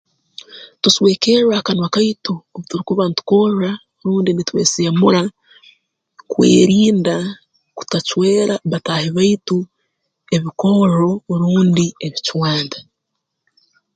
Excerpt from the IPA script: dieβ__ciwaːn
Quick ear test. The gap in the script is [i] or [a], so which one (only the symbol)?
i